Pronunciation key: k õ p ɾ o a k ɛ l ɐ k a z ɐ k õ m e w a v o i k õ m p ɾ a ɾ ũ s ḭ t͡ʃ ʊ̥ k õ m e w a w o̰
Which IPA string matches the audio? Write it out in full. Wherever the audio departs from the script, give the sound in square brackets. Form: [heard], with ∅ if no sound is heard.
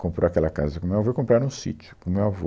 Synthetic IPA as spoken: k õ p ɾ o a k ɛ l ɐ k a z ɐ k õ m e w a v o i k õ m p ɾ a ɾ ũ s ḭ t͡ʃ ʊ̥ k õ m e w a [v] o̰

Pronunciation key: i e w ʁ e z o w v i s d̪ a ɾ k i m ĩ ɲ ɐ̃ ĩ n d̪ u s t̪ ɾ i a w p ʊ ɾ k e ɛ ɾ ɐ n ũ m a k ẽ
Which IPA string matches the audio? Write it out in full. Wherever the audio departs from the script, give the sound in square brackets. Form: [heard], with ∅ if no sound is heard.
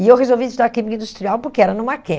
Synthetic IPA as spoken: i e w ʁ e z o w v i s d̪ a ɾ k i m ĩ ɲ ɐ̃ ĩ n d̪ u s t̪ ɾ i a w p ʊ ɾ k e ɛ ɾ ɐ n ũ m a k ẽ

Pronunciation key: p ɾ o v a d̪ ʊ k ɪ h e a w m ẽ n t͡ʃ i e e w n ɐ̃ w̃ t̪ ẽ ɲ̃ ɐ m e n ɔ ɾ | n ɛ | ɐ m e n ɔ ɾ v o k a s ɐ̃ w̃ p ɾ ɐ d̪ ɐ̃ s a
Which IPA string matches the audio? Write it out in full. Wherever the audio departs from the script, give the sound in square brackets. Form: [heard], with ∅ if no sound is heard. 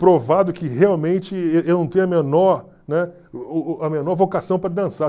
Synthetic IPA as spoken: p ɾ o v a d̪ ʊ k ɪ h e a w m ẽ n t͡ʃ [ɪ] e e w n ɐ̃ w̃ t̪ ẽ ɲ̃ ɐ m e n ɔ ɾ | n ɛ | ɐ m e n ɔ ɾ v o k a s ɐ̃ w̃ p ɾ ɐ d̪ ɐ̃ s a

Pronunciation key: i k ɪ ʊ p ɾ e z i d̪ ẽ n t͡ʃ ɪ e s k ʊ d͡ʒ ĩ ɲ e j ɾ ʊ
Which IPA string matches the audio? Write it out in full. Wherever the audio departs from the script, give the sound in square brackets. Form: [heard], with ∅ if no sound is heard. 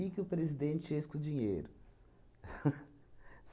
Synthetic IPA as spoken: i k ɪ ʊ p ɾ e z i d̪ ẽ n t͡ʃ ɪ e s k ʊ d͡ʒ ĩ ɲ e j ɾ ʊ

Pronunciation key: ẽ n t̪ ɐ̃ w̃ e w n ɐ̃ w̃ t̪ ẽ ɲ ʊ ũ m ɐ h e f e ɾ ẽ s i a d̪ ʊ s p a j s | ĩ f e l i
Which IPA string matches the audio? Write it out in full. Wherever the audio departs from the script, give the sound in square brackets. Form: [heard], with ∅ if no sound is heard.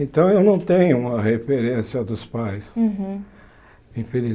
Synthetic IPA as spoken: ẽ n t̪ ɐ̃ w̃ e w n ɐ̃ w̃ t̪ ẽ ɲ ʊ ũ m ɐ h e f e ɾ ẽ s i [ɐ] d̪ ʊ s p a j s | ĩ f e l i

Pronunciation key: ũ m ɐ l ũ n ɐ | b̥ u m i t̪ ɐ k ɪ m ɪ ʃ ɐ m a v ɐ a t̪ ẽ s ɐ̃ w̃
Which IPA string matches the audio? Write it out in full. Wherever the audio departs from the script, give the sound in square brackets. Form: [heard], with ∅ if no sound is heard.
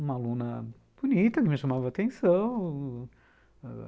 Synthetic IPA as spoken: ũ m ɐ l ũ n ɐ | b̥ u [n] i t̪ ɐ k ɪ m ɪ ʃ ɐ m a v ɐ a t̪ ẽ s ɐ̃ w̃

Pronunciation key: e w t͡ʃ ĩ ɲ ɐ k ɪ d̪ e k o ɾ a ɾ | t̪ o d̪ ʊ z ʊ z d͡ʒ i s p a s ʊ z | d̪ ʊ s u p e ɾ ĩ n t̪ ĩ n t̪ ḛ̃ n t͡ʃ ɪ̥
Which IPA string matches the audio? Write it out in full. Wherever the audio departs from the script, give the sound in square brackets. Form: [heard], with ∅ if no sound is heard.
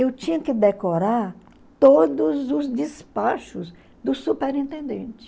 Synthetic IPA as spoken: e w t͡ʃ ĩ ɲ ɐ k ɪ d̪ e k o ɾ a ɾ | t̪ o d̪ ʊ z ʊ z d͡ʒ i s p a [ʃ] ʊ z | d̪ ʊ s u p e ɾ ĩ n t̪ [ẽ] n [d̪] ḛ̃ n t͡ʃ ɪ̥

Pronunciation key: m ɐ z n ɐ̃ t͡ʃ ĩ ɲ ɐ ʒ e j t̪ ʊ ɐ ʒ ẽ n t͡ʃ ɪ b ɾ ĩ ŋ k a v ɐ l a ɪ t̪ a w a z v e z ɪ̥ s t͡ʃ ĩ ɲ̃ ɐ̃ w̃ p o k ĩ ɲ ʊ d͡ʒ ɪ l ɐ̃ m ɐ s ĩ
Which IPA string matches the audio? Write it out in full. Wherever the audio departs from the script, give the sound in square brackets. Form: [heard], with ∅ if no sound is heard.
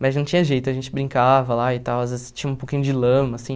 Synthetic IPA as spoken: m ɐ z n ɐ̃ t͡ʃ ĩ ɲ ɐ ʒ e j t̪ ʊ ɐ ʒ ẽ n t͡ʃ ɪ b ɾ ĩ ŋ k a v ɐ l a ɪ t̪ a w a z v e z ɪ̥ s t͡ʃ ĩ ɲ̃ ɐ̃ [ũ] p o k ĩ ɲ ʊ d͡ʒ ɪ l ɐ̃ m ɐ s ĩ

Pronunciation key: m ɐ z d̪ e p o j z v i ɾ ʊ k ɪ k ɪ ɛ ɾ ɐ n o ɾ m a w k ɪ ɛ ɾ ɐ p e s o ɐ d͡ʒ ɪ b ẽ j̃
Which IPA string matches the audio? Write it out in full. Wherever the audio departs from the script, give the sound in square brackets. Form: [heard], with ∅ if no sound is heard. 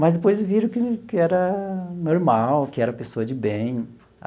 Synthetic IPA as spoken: m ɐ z d̪ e p o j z v i ɾ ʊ k ɪ k ɪ ɛ ɾ ɐ n o ɾ m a w k ɪ ɛ ɾ ɐ p e s o ɐ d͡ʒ ɪ b ẽ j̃

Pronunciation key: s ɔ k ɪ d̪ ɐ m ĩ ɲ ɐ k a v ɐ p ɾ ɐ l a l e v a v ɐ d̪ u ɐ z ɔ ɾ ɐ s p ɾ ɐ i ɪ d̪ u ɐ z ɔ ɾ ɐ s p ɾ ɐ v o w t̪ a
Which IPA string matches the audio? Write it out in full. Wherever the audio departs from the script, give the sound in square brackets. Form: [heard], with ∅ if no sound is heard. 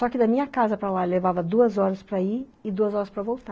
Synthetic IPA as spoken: s ɔ k ɪ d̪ ɐ m ĩ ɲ ɐ k a [z] ɐ p ɾ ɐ l a l e v a v ɐ d̪ u ɐ z ɔ ɾ ɐ s p ɾ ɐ i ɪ d̪ u ɐ z ɔ ɾ ɐ s p ɾ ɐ v o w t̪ a

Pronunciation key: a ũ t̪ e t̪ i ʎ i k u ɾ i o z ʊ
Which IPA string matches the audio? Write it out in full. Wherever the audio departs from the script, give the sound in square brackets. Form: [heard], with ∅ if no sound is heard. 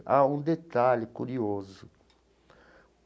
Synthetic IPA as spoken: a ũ [d̪] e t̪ [a] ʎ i k u ɾ i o z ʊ

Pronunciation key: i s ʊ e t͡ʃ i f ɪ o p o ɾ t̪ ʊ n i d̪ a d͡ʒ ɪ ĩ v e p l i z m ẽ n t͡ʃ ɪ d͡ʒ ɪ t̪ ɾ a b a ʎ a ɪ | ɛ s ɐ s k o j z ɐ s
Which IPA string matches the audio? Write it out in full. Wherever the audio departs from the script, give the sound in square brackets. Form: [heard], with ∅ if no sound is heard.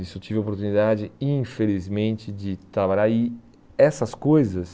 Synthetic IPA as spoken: i s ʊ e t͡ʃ i [v] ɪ o p o ɾ t̪ [u] n i d̪ a d͡ʒ ɪ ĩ [f] e [∅] l i z m ẽ n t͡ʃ ɪ d͡ʒ ɪ t̪ ɾ a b a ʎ a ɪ | ɛ s ɐ s k o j z ɐ s

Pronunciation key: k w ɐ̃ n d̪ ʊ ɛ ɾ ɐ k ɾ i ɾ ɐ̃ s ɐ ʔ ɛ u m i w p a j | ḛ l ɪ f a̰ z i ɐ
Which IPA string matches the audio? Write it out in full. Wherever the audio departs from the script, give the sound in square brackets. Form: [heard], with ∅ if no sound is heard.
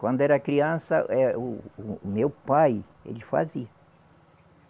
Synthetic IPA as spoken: k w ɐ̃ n d̪ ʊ ɛ ɾ ɐ k ɾ i [∅] ɐ̃ s ɐ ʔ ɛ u m [e] w p a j | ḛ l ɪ f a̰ z i ɐ

